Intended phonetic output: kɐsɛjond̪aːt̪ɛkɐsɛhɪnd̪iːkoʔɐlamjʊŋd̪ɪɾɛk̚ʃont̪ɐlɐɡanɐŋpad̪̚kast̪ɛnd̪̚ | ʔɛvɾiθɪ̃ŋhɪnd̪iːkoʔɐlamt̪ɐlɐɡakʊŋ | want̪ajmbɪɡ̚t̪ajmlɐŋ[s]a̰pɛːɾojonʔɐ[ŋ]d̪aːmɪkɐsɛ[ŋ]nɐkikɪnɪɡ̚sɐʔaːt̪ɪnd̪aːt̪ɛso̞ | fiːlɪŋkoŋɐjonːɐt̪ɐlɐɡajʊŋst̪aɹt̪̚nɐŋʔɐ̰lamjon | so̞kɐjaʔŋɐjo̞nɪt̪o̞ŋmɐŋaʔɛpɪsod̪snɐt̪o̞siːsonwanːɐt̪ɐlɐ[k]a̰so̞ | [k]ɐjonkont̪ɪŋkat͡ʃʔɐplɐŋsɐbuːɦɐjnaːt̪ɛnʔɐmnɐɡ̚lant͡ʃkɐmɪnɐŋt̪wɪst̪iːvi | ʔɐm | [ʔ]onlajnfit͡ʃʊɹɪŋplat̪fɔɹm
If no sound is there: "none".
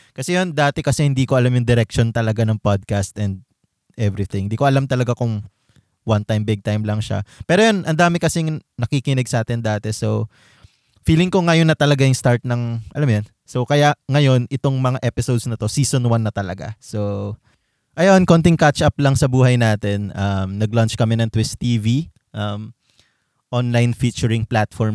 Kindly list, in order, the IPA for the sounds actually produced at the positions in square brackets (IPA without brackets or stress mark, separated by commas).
ʃ, n, ŋ, ɡ, ʔ, ʔ